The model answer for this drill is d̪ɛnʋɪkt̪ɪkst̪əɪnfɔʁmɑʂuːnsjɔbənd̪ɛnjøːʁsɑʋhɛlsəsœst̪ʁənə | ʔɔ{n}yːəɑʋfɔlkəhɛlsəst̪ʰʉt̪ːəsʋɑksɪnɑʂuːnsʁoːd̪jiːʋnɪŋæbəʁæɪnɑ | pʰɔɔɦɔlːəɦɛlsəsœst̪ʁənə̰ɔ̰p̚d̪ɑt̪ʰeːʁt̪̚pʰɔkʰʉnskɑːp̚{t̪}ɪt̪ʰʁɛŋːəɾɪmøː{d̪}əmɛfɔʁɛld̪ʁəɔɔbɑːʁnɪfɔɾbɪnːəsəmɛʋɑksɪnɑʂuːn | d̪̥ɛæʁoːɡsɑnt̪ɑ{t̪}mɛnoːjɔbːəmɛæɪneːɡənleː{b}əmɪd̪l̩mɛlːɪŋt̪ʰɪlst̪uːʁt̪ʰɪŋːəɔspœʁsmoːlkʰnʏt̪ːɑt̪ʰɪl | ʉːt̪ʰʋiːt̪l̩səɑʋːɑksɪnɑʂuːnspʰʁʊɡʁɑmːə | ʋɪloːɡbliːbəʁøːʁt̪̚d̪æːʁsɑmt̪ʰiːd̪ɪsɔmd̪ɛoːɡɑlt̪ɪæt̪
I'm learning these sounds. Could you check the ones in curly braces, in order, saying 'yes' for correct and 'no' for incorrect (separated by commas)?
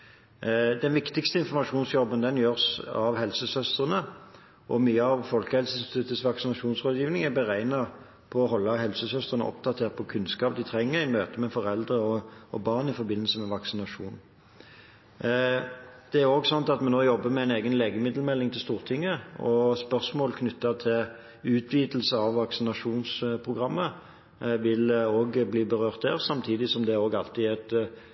no, no, no, yes, no